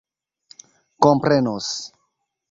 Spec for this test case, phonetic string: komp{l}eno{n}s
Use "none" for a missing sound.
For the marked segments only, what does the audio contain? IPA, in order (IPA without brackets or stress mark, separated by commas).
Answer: ɾ, none